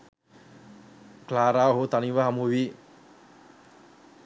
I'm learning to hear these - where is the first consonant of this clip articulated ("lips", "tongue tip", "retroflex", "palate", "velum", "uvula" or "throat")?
velum